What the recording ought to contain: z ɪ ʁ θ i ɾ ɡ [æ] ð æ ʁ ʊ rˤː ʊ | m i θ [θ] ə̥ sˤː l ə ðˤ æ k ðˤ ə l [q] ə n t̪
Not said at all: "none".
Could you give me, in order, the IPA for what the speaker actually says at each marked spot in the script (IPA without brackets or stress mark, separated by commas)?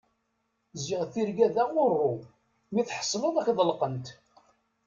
æ, ħ, q